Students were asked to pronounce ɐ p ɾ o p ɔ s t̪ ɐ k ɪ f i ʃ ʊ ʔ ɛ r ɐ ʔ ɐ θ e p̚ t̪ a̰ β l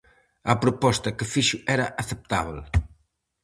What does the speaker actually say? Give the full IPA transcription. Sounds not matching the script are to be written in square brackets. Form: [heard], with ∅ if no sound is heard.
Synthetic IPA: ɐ p ɾ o p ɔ s t̪ ɐ k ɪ f i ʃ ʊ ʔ ɛ [ɾ] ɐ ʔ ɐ θ e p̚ t̪ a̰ β l

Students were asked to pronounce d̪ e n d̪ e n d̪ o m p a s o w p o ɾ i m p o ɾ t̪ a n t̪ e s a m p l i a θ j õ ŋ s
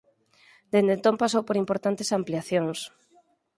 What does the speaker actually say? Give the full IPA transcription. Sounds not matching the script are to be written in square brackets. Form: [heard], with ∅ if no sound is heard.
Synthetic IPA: d̪ e n d̪ e n [t̪] o m p a s o w p o ɾ i m p o ɾ t̪ a n t̪ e s a m p l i a θ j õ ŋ s

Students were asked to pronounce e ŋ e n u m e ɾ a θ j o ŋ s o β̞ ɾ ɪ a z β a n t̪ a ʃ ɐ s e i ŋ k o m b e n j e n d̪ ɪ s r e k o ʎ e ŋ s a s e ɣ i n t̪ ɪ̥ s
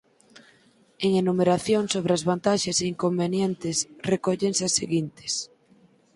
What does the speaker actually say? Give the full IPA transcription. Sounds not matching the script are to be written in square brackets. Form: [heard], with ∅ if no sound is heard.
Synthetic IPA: e ŋ e n u m e ɾ a θ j o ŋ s o β̞ ɾ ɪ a z β a n t̪ a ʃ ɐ s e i ŋ k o m b e n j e n [t̪] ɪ s r e k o ʎ e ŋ s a s e ɣ i n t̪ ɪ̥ s

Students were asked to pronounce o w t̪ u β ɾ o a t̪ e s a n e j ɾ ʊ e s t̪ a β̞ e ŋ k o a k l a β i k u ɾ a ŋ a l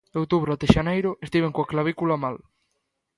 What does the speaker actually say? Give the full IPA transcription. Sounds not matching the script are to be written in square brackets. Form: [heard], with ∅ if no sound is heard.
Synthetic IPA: o w t̪ u β ɾ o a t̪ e [ʃ] a n e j ɾ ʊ e s t̪ [i] β̞ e ŋ k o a k l a β i k u [l] a [m] a l

